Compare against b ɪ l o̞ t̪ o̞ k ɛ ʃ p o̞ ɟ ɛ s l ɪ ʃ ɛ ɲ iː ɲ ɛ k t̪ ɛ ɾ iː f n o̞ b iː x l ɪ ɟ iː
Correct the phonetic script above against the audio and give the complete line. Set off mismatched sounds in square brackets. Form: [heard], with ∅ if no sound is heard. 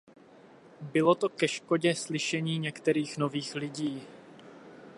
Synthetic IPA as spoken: b ɪ l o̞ t̪ o̞ k ɛ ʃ [k] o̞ ɟ ɛ s l ɪ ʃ ɛ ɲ iː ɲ ɛ k t̪ ɛ ɾ iː [x] n o̞ [v] iː x l ɪ ɟ iː